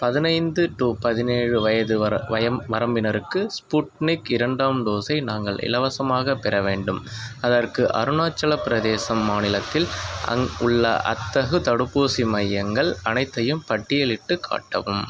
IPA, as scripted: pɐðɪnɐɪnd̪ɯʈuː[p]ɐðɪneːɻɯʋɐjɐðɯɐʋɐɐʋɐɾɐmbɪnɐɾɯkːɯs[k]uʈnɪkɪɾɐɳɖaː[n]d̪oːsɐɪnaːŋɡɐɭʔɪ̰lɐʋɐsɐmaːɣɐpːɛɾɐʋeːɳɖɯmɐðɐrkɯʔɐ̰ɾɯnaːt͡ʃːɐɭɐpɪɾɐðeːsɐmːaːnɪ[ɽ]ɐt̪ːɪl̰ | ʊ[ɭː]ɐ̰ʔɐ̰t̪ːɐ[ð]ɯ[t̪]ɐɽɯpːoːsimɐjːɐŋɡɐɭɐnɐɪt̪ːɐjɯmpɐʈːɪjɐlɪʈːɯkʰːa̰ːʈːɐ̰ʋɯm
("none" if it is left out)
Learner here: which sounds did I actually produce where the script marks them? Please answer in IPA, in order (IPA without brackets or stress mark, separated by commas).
p, p, m, l, ɭː, ɣ, t̪